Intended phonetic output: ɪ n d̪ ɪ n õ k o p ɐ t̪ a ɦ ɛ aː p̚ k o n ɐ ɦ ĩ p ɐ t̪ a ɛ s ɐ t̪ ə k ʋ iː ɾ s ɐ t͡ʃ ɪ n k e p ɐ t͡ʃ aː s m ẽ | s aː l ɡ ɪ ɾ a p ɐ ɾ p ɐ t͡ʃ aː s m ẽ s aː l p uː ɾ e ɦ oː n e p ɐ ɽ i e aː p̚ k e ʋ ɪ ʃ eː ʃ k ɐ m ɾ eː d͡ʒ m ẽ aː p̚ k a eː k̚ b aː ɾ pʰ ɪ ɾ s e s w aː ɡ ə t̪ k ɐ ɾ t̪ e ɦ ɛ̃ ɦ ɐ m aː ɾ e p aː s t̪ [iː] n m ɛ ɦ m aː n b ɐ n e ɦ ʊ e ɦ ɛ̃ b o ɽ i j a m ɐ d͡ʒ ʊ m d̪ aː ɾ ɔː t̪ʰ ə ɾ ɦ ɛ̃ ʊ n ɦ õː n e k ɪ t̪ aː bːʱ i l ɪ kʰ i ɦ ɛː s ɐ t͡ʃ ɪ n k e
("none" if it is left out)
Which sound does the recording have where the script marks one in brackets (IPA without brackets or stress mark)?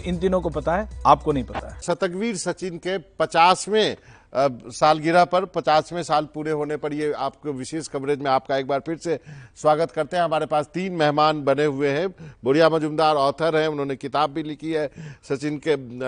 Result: iː